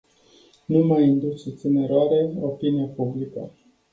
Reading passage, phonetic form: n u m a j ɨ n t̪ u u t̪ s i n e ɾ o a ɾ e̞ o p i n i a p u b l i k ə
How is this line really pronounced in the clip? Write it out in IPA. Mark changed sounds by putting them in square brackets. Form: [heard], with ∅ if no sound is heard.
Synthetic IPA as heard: n u m a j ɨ n [d̪] u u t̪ s i n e ɾ o a ɾ e̞ o p i n i a p u b l i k ə